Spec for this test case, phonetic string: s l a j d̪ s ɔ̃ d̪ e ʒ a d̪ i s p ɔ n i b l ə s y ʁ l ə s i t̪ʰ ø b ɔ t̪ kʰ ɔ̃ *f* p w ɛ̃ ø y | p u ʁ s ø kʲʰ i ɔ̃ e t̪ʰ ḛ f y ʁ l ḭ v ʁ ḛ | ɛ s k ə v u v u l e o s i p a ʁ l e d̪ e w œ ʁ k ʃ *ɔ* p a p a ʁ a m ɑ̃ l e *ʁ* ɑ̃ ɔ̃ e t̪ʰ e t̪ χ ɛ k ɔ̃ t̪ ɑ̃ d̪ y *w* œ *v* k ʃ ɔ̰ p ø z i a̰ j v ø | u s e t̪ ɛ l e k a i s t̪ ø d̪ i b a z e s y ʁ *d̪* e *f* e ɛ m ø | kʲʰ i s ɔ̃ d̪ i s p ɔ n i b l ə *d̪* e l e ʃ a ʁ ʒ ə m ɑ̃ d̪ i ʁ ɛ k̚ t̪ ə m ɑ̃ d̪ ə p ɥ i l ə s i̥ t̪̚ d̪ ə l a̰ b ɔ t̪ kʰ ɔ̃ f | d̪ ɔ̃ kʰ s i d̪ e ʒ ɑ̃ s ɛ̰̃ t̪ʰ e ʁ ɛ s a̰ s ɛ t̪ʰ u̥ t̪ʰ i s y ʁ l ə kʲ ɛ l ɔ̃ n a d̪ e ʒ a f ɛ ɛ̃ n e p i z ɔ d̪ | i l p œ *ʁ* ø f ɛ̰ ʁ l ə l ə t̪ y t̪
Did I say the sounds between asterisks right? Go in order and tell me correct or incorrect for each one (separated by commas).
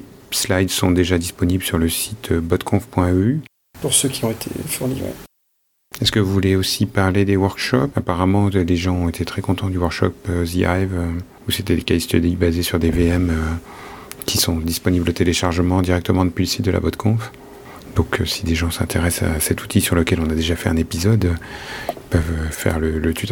correct, correct, incorrect, correct, incorrect, correct, incorrect, incorrect, incorrect